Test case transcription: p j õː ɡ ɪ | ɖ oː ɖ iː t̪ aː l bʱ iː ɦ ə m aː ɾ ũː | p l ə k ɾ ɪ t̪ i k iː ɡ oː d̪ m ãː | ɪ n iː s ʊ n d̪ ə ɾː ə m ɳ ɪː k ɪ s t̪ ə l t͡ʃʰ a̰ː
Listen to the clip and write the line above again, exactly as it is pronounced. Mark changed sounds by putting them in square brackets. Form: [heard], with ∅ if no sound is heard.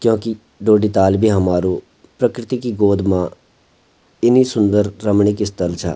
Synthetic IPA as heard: [k] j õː [k] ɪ | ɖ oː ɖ iː t̪ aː l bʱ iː ɦ ə m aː ɾ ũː | p [ɾ] ə k ɾ ɪ t̪ i k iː ɡ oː d̪ m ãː | ɪ n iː s ʊ n d̪ ə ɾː ə m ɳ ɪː k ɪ s t̪ ə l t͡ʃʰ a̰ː